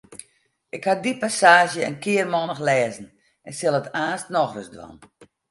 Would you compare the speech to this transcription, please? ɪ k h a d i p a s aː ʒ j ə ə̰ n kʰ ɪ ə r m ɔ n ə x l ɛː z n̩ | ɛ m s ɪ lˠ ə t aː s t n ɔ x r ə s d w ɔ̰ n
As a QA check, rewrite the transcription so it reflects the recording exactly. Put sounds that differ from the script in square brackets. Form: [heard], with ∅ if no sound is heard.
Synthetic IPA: ɪ k h a d i p a s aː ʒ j ə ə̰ n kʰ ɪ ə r m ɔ n ə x l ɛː z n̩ | ɛ [n] s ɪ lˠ ə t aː s t n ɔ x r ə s d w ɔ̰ n